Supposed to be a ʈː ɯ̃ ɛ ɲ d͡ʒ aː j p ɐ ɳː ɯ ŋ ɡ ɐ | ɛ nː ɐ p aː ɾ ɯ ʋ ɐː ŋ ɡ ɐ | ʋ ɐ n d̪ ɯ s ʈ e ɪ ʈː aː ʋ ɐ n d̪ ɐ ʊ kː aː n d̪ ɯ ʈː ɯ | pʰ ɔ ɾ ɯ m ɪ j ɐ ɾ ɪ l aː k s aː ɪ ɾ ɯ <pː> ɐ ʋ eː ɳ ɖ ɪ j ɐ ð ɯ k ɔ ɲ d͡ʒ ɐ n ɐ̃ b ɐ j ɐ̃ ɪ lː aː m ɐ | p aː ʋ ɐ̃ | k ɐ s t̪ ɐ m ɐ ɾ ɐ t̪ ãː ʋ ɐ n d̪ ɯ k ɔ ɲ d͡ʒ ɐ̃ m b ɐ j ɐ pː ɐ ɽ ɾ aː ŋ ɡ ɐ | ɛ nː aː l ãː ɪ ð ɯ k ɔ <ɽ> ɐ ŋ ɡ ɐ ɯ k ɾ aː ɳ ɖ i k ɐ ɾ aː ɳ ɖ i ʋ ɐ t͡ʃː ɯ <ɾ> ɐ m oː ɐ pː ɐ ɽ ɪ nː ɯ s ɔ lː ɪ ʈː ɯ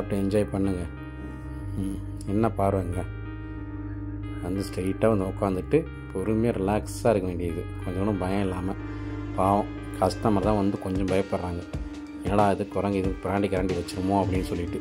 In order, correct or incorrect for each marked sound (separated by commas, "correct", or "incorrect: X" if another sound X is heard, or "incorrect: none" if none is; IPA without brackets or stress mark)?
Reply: incorrect: kː, incorrect: ɾ, correct